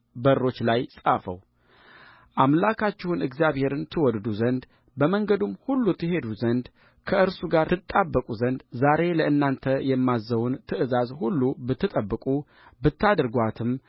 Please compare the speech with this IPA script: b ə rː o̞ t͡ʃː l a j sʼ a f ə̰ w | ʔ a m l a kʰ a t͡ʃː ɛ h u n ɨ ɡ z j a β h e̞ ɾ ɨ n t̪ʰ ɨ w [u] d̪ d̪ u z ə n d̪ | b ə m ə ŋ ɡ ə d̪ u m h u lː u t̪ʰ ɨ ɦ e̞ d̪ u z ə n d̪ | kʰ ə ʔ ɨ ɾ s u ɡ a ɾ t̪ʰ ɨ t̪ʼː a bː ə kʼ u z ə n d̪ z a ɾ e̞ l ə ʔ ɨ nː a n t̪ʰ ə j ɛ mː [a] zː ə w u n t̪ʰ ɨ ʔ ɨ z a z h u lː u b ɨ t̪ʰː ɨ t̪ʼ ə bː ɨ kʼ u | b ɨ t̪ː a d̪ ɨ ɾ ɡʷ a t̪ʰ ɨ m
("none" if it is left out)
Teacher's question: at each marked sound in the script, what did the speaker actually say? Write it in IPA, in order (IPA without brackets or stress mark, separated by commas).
ɔ, a